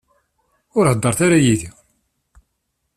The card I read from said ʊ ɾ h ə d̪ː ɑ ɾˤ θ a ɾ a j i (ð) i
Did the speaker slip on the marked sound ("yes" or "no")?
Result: no